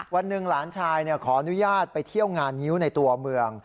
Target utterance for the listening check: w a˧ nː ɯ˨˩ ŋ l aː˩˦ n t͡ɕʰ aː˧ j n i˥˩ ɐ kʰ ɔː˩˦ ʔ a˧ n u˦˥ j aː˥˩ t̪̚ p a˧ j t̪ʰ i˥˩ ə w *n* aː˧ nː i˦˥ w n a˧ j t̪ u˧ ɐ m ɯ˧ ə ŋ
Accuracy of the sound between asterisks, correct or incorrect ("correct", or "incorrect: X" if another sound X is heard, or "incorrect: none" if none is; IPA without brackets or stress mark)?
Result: incorrect: ŋ